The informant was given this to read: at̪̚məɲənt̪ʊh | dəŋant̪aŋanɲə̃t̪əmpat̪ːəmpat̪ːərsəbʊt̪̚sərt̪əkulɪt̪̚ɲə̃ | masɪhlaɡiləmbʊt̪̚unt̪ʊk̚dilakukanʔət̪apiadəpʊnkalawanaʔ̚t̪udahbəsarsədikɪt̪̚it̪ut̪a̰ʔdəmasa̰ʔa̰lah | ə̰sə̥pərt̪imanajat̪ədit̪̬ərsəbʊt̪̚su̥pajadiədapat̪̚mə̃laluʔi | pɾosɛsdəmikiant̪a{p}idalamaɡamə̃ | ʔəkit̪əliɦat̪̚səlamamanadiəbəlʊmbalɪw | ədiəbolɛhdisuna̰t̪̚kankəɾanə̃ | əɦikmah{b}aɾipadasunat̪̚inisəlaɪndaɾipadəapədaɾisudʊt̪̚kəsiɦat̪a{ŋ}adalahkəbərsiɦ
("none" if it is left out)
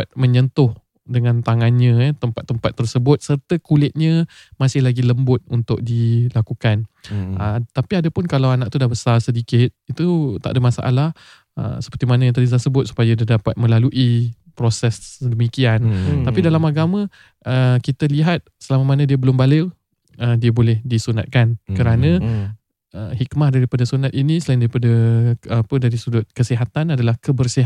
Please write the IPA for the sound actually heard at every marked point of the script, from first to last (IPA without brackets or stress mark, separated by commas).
p, d, n